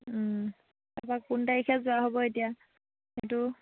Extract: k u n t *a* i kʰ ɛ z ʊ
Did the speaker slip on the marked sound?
no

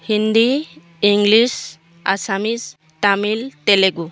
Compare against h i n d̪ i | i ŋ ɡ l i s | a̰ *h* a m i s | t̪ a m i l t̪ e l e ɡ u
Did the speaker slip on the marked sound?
yes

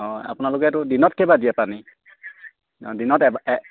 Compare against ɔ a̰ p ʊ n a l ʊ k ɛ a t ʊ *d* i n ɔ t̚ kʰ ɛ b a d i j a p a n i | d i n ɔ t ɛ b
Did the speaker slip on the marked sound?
no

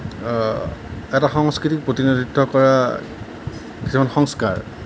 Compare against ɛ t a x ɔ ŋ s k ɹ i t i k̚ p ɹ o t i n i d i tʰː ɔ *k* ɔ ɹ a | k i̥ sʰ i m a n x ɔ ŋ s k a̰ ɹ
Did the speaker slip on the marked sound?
no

